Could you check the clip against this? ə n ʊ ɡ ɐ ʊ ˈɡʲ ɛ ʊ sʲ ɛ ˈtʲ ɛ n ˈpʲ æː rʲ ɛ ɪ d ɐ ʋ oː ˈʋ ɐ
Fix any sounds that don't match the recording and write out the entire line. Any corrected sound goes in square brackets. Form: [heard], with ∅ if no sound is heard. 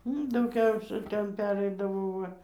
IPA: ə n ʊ [d] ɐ ʊ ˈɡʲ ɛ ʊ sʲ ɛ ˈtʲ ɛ n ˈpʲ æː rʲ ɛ ɪ d ɐ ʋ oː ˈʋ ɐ